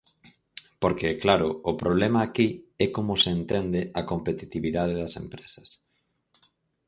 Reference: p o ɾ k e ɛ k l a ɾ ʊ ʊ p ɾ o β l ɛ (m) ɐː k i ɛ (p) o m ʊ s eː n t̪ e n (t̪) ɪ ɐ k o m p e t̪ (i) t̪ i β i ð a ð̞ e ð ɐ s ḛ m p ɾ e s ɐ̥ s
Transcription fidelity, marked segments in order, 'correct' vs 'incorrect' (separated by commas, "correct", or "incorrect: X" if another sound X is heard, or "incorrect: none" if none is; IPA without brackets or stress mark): correct, incorrect: k, incorrect: d̪, correct